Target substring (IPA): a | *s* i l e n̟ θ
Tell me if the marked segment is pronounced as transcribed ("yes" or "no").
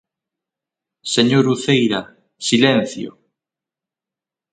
yes